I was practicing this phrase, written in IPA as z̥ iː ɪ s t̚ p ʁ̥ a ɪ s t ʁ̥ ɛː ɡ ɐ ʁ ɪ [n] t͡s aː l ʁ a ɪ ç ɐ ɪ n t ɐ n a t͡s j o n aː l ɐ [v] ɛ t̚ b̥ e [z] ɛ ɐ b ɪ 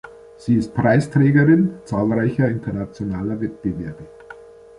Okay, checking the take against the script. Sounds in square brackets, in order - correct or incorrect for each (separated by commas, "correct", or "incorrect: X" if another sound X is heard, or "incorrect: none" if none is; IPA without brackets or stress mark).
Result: correct, correct, incorrect: v